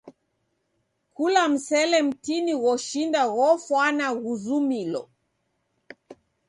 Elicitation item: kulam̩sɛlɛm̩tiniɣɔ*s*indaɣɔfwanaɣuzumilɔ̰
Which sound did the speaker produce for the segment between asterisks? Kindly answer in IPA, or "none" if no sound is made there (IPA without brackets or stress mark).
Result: ʃ